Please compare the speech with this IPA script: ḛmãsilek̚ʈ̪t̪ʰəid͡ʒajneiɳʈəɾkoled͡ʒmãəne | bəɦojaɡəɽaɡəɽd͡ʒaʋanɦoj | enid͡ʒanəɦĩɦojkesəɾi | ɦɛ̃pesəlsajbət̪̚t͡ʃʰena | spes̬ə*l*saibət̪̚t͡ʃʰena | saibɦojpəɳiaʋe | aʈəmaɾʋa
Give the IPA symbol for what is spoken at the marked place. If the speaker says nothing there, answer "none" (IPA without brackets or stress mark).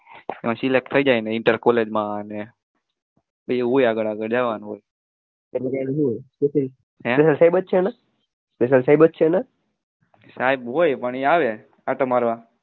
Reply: l